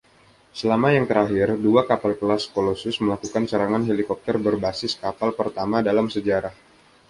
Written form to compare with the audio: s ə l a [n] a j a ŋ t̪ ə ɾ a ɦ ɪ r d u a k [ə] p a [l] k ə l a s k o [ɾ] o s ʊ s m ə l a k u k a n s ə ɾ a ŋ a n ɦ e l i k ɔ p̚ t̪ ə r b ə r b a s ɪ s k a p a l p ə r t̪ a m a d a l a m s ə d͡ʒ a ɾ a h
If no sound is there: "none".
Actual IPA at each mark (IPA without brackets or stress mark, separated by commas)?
m, a, l, l